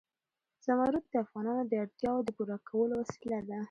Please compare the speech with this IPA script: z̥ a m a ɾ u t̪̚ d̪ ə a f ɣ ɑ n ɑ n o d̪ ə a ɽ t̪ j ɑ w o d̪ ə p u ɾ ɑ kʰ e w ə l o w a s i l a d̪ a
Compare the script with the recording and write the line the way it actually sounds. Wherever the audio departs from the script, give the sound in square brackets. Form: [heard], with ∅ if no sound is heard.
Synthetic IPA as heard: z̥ a m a ɾ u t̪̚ d̪ ə a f ɣ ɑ n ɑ n o d̪ ə a ɽ t̪ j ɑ w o d̪ ə p u ɾ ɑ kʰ [a] w ə l o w a s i l a d̪ a

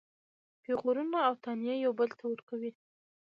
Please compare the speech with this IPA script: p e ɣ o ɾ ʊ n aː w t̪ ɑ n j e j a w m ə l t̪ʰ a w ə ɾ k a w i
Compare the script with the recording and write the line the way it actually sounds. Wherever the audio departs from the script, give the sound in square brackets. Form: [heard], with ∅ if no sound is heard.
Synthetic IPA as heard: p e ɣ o ɾ [u] n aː w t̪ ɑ n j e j a w [b] ə l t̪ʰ a w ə ɾ k a w i

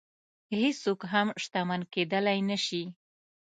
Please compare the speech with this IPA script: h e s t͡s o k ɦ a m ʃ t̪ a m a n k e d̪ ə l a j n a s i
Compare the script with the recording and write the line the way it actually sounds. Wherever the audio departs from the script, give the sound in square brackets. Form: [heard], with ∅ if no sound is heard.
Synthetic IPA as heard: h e s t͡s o k ɦ a m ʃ t̪ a m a n k e d̪ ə l a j n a [ʃ] i

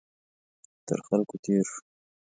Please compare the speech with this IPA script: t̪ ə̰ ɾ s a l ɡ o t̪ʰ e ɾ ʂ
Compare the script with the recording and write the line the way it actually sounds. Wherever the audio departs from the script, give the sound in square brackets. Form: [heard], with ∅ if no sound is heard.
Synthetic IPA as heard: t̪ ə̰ ɾ [x] a l [k] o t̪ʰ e ɾ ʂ

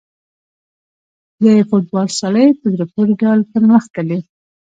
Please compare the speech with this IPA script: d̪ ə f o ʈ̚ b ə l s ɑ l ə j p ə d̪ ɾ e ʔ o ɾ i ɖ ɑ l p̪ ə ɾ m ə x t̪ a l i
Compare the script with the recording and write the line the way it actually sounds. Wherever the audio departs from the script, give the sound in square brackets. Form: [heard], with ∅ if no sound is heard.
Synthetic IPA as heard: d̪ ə f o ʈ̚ b [ɑ] l s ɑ l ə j p ə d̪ ɾ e [p] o ɾ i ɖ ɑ l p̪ ə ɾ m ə x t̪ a l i

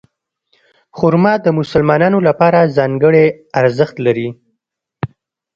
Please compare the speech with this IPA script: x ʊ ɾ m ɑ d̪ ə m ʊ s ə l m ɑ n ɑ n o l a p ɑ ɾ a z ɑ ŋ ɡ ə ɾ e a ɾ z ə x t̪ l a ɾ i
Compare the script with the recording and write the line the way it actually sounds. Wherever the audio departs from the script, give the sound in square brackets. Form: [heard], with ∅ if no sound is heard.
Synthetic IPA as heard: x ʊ ɾ m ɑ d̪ ə m ʊ s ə l m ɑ n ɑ n o l a p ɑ ɾ a z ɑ ŋ ɡ ə [ɽ] e a ɾ z ə x t̪ l a ɾ i

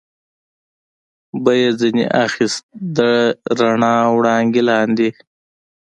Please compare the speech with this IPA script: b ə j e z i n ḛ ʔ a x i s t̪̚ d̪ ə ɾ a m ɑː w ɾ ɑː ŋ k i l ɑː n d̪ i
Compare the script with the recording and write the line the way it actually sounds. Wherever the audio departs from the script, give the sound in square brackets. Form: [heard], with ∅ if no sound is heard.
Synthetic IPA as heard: b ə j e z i n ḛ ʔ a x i s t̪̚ d̪ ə ɾ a [ɳ] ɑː w [ɽ] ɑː ŋ [ɡ] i l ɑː n d̪ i

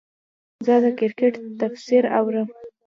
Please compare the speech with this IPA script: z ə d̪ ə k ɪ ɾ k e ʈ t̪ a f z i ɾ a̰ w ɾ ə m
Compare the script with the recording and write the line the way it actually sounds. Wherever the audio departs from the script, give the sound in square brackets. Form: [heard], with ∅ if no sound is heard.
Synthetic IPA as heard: z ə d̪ ə k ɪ ɾ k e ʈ t̪ a f [s] i ɾ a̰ w ɾ ə m

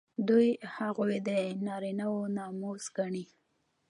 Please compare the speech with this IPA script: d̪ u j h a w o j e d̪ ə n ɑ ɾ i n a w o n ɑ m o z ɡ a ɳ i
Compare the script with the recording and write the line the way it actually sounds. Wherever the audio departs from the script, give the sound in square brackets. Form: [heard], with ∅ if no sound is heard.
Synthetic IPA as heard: d̪ u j h a [ɣ] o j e d̪ ə n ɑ ɾ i n a w o n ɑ m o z ɡ a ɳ i

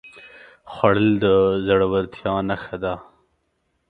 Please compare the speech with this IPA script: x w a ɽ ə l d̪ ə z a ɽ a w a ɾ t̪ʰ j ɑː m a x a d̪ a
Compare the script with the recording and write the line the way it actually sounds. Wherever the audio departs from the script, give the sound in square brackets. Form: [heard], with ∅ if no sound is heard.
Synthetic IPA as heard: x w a ɽ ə l d̪ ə z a ɽ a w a ɾ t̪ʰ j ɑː [n] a x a d̪ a

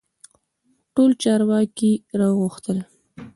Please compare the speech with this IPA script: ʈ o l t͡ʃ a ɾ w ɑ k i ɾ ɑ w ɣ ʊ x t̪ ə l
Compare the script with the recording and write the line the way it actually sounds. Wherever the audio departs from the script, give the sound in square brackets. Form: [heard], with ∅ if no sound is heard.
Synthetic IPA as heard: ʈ o l t͡ʃ [ɑ] ɾ w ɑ k i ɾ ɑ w ɣ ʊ x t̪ ə l

